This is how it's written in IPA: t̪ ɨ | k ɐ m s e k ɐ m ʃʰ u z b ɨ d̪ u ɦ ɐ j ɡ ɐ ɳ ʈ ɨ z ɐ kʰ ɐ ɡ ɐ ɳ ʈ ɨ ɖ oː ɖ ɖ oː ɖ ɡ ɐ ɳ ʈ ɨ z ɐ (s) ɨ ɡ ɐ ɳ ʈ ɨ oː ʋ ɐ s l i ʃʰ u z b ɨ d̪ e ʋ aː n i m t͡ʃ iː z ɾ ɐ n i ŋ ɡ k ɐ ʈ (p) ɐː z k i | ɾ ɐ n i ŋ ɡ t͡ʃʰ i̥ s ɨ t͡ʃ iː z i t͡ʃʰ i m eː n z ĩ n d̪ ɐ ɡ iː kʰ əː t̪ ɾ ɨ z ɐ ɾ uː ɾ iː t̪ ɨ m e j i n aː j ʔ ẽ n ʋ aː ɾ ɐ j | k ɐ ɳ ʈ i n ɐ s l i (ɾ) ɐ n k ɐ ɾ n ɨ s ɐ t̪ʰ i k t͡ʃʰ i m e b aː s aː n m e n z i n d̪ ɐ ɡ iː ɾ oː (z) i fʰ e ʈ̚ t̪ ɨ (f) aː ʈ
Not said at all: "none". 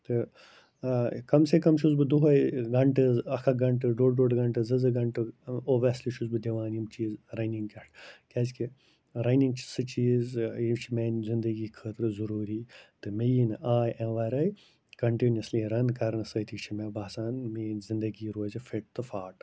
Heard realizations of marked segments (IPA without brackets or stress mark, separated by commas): z, k, ɾ, z, f